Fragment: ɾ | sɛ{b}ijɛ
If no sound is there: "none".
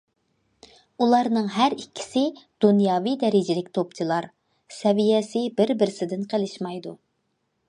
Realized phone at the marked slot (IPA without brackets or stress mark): v